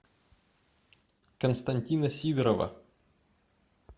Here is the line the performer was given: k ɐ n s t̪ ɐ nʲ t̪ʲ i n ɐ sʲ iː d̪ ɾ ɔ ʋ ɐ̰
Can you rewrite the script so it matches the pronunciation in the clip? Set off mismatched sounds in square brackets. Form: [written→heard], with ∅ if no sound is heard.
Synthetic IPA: k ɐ n s t̪ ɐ nʲ t̪ʲ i n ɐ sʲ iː d̪ ɾ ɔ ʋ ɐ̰